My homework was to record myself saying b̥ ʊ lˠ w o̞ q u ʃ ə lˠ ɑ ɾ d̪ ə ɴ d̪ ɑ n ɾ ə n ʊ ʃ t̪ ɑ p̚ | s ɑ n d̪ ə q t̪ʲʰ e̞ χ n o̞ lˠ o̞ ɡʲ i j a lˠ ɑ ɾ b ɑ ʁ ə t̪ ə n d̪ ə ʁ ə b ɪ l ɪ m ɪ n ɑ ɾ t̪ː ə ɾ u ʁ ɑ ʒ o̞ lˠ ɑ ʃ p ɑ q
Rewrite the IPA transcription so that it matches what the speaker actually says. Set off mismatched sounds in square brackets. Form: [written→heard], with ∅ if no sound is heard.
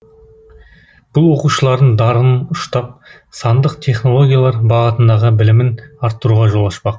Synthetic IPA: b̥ ʊ lˠ w o̞ q u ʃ ə lˠ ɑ ɾ d̪ ə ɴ d̪ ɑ [n→∅] ɾ ə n ʊ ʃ t̪ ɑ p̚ | s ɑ n d̪ ə q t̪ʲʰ e̞ χ n o̞ lˠ o̞ ɡʲ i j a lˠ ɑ ɾ b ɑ ʁ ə t̪ ə n d̪ [ə→ɑ] ʁ ə b ɪ l ɪ m ɪ n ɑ ɾ t̪ː ə ɾ u ʁ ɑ ʒ o̞ lˠ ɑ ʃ p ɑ q